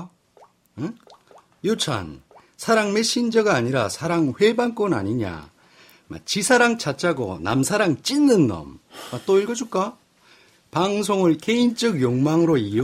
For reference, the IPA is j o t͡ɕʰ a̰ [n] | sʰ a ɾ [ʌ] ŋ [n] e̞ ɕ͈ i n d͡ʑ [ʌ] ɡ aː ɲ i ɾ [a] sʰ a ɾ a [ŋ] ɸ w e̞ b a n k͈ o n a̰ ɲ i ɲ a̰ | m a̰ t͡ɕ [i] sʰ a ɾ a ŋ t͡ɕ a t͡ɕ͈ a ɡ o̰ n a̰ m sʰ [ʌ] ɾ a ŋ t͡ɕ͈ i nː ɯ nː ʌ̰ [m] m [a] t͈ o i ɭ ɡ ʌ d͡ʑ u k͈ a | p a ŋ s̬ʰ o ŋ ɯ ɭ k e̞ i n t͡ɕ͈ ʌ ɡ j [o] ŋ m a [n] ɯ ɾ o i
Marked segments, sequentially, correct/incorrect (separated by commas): correct, incorrect, incorrect, correct, correct, correct, correct, incorrect, correct, correct, correct, incorrect